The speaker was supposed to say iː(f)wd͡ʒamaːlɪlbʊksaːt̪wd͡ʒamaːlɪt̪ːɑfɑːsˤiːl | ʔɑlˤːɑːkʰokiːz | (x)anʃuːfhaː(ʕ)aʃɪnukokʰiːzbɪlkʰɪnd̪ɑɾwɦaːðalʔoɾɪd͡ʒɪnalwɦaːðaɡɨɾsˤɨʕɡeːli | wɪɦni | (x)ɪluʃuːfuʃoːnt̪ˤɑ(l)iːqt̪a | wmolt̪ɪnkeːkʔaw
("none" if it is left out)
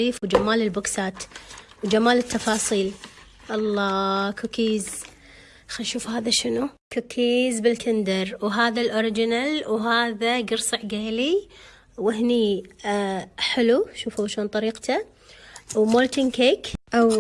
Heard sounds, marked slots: f, x, ð, ħ, ɾ

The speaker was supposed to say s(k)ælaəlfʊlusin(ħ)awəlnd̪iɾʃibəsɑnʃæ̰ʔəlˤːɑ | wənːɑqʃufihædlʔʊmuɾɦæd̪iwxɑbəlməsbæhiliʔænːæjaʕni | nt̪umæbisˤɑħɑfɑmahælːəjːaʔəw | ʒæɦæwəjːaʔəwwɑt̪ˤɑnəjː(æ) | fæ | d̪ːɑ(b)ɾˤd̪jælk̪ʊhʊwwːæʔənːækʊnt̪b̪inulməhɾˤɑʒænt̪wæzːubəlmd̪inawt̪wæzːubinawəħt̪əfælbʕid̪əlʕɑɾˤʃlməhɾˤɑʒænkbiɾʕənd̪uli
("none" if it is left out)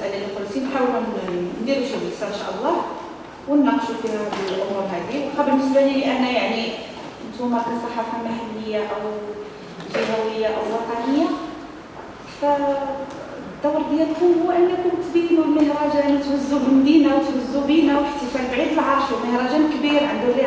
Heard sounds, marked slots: ʔ, ħ, a, w

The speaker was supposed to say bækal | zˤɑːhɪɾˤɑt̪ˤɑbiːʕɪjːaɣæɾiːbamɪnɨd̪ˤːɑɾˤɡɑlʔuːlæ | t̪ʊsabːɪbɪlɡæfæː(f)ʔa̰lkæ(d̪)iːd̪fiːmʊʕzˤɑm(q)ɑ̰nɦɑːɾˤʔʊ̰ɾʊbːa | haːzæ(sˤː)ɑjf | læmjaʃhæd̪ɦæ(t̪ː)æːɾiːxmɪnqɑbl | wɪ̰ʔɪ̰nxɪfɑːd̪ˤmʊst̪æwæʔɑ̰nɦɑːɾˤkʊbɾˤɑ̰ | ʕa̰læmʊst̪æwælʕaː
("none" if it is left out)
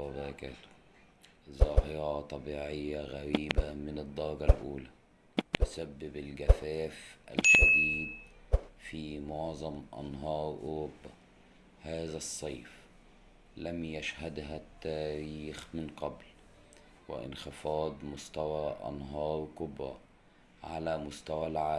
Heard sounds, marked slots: f, d̪, ʔ, sˤː, t̪ː

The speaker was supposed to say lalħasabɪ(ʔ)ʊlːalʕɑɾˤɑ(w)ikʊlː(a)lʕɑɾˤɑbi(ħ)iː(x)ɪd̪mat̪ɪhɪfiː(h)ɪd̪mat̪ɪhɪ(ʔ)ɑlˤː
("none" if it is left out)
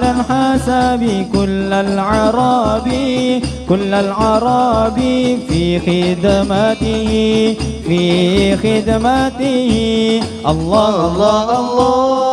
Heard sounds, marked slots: k, b, a, f, x, x, ʔ

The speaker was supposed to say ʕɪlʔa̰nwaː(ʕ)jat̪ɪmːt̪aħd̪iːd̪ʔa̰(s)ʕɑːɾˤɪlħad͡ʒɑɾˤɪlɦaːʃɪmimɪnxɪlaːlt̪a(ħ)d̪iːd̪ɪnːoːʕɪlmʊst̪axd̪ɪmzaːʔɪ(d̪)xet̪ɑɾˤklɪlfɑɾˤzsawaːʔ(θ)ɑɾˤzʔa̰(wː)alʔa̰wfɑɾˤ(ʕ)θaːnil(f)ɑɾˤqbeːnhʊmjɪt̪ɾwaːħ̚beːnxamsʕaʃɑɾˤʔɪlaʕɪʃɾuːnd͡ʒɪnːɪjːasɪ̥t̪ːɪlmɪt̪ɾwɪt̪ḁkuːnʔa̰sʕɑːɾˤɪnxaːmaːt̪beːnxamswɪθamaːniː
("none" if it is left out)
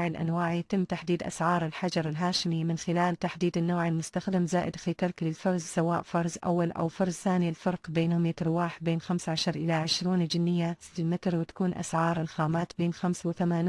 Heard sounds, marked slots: ʕ, s, ħ, d̪, f, wː, z, f

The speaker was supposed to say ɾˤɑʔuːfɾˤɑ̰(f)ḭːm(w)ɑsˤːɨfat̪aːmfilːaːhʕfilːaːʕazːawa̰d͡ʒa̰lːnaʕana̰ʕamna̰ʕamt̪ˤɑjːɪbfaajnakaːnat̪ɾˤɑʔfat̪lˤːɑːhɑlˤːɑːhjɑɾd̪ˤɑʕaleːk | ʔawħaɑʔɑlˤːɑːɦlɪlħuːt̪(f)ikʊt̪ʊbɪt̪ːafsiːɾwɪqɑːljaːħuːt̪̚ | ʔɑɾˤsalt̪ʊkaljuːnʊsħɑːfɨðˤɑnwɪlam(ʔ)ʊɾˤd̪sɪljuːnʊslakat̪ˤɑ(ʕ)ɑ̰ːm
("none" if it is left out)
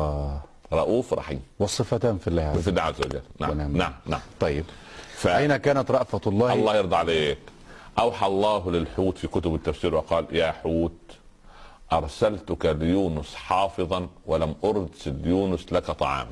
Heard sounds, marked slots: ħ, w, f, ʔ, ʕ

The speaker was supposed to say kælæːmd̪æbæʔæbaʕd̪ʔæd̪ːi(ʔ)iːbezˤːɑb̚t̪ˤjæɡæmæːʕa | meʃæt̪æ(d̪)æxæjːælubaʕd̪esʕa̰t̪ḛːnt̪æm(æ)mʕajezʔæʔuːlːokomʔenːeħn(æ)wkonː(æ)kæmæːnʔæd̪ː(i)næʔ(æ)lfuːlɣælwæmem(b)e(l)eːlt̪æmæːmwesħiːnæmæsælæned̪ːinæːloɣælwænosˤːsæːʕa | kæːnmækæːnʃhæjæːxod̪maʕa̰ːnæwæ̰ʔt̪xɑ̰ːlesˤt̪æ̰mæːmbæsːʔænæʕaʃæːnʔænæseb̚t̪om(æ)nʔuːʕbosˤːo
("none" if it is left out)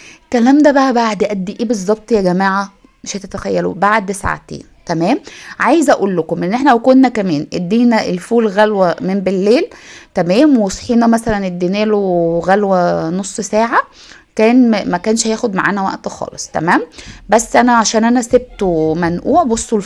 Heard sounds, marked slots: ʔ, t̪, æː, æ, æ, iː, e, b, lː, æ

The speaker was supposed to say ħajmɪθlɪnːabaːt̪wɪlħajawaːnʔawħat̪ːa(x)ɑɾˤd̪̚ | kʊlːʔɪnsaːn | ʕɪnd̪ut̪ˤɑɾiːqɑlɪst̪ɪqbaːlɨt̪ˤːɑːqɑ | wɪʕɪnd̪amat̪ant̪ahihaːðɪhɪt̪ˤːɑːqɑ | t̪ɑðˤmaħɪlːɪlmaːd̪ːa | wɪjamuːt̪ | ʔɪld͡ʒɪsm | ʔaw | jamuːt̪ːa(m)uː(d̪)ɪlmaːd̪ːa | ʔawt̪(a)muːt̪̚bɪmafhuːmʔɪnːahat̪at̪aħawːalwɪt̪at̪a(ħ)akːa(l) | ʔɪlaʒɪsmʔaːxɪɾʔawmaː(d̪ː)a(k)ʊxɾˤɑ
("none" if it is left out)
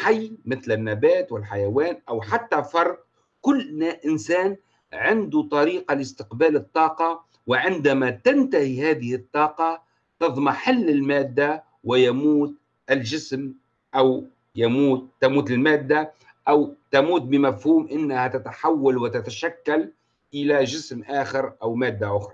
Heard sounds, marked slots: f, m, t̪, a, ʃ, l, d̪ː, ʔ

